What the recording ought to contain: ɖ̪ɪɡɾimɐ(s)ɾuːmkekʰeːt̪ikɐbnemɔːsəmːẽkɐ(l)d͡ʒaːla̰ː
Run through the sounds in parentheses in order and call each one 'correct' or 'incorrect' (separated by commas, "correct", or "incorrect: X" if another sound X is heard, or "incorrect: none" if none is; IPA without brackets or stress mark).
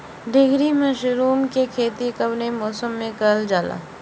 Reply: incorrect: ʃ, correct